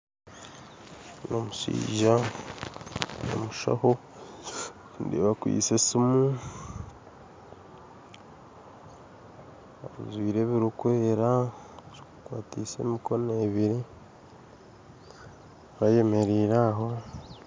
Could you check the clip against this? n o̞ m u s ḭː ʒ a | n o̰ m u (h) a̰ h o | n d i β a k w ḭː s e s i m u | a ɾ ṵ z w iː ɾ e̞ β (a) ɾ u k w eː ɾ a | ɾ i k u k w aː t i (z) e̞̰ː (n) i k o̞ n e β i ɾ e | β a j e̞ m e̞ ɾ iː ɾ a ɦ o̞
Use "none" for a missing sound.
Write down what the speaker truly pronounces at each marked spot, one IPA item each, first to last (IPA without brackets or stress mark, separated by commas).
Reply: ʃ, i, s, m